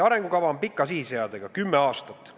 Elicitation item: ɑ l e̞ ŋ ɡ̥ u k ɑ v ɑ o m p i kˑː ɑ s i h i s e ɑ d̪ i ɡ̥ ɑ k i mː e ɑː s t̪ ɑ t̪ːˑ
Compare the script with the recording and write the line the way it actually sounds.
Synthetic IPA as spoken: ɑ ɾ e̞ ŋ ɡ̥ u k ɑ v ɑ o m p i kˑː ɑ s i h i s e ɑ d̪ e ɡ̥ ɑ k y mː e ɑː s t̪ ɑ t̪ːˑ